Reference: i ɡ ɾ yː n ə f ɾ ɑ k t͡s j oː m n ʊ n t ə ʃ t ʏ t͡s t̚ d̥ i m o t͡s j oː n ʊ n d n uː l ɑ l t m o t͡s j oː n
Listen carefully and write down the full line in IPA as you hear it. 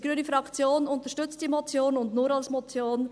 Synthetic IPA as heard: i ɡ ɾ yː n ə f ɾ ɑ k t͡s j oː n ʊ n t ə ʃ t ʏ t͡s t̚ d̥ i m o t͡s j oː n ʊ n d n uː ɾ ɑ l s m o t͡s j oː n